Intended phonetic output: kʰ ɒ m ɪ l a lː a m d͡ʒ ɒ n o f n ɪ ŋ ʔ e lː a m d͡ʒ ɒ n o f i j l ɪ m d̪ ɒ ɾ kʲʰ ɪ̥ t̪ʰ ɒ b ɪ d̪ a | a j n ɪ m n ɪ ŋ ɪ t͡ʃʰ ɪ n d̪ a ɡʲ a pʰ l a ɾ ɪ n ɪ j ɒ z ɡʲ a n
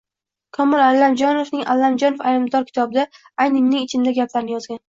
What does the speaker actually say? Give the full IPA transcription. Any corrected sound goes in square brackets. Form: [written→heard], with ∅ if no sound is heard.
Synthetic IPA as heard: kʰ ɒ m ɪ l a lː a m d͡ʒ ɒ n o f n ɪ ŋ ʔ [e→a] lː a m d͡ʒ ɒ n o f [i→a] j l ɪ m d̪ ɒ ɾ kʲʰ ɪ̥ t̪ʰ ɒ b ɪ d̪ a | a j n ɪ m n ɪ ŋ ɪ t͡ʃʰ ɪ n d̪ a ɡʲ a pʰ l a ɾ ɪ n ɪ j ɒ z ɡʲ a n